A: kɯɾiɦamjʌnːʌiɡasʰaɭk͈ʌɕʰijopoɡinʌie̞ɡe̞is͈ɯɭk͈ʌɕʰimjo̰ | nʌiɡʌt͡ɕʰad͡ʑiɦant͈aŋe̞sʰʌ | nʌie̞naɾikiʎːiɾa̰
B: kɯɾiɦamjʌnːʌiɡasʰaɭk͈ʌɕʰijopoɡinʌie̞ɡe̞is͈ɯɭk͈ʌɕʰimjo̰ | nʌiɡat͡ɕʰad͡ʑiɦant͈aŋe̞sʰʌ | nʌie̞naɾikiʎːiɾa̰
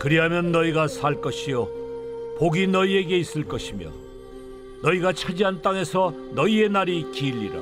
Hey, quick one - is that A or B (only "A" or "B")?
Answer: B